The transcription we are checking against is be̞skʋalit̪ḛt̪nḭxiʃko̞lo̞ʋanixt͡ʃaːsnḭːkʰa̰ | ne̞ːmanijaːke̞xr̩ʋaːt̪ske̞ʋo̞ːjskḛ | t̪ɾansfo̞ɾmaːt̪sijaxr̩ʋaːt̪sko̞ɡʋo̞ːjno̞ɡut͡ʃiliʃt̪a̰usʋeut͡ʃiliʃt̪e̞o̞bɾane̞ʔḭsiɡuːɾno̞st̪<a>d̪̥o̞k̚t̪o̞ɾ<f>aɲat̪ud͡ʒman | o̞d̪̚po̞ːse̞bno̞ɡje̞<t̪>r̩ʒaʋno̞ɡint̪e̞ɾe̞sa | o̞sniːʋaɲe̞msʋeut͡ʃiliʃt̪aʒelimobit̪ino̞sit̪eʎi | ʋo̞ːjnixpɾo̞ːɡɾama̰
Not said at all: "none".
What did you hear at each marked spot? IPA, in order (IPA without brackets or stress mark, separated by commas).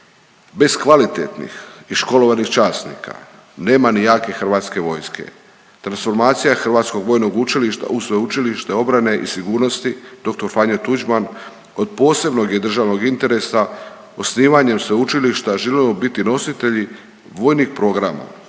i, f, d̪